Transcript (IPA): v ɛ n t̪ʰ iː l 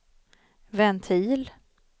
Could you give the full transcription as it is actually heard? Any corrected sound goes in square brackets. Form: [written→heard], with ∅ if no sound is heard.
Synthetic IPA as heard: v ɛ n t̪ʰ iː l